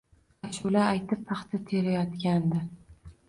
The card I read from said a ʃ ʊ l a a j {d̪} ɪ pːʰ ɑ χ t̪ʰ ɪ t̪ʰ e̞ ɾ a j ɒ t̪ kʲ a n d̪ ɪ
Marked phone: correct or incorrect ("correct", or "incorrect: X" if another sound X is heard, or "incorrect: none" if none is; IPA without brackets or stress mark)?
incorrect: t̪